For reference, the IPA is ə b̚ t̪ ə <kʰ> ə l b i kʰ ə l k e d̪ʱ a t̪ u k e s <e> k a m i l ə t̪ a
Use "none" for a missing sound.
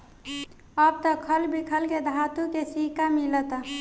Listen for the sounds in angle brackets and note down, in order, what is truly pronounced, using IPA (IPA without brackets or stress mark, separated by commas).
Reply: kʰ, i